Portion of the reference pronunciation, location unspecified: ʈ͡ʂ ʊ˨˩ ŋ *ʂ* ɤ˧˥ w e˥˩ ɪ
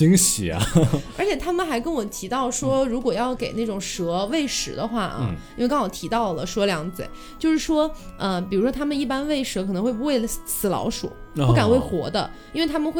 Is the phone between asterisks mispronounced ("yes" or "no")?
no